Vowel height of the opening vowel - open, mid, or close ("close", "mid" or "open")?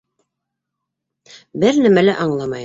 mid